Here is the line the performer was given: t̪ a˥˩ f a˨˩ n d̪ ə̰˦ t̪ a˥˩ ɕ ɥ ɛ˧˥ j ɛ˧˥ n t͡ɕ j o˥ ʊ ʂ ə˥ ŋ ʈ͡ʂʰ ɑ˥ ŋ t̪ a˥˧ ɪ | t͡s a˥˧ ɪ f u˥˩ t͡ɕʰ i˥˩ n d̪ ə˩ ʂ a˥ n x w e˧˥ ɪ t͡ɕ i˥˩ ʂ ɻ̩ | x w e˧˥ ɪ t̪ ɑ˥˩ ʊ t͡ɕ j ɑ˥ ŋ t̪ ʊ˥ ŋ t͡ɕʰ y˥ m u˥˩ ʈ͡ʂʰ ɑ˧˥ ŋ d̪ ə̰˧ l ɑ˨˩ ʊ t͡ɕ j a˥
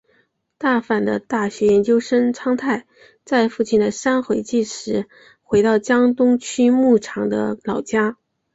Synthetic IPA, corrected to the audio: t̪ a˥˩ f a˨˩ n d̪ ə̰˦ t̪ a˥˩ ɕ ɥ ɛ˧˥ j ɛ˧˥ n t͡ɕ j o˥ ʊ ʂ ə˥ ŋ ʈ͡ʂʰ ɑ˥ ŋ t̪ʰ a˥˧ ɪ | t͡s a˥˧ ɪ f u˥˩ t͡ɕʰ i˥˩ n d̪ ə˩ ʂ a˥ n x w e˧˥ ɪ t͡ɕ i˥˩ ʂ ɻ̩ | x w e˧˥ ɪ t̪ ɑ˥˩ ʊ t͡ɕ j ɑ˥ ŋ t̪ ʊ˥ ŋ t͡ɕʰ y˥ m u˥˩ ʈ͡ʂʰ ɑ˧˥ ŋ d̪ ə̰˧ l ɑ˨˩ ʊ t͡ɕ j a˥